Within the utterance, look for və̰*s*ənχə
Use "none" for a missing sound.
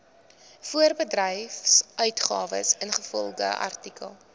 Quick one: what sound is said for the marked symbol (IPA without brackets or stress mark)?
s